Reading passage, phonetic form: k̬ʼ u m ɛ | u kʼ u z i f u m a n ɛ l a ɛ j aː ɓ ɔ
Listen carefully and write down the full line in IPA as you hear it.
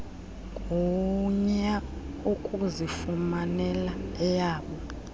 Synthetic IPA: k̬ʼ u ɲ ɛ | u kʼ u z i f u m a n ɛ l a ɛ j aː ɓ ɔ